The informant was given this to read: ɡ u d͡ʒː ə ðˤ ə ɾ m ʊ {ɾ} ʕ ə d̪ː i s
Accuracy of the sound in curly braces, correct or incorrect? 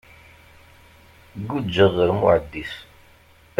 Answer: incorrect